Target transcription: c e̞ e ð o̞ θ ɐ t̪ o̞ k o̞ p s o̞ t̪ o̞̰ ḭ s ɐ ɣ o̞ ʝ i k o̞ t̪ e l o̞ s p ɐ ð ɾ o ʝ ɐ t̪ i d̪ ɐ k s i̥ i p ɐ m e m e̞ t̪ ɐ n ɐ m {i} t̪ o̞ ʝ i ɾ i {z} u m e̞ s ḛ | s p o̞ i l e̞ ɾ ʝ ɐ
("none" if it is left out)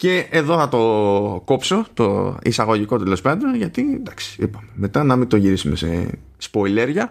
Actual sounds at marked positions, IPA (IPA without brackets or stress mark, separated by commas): i, s